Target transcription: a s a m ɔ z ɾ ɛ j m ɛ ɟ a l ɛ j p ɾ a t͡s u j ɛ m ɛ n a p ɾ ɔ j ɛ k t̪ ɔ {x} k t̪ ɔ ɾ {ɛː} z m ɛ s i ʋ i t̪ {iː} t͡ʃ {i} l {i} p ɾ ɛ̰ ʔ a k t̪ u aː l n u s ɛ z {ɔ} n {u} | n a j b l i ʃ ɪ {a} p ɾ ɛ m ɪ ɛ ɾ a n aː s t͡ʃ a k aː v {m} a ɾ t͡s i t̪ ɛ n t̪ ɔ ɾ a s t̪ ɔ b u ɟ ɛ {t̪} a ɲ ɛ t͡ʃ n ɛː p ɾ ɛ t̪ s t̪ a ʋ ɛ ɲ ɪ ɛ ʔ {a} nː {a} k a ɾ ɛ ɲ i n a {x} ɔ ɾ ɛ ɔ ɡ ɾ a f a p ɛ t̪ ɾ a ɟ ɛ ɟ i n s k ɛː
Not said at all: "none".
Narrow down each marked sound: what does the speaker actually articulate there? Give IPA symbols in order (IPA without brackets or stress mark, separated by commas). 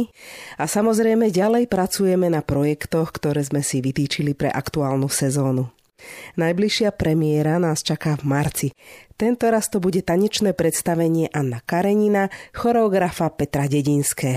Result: x, ɛː, iː, i, i, ɔː, u, a, m, t̪, a, a, x